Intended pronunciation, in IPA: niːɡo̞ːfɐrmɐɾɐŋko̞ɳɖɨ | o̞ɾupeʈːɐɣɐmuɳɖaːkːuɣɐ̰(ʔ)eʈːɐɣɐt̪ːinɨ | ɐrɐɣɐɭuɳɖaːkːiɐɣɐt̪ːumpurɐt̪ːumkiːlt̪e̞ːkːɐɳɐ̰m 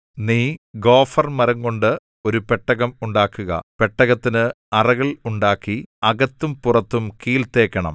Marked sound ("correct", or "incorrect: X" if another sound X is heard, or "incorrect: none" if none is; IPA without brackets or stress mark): incorrect: p